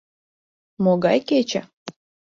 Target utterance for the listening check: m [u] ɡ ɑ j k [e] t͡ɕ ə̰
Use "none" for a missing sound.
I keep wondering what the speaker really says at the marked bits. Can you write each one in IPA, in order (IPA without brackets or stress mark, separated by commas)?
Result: o, e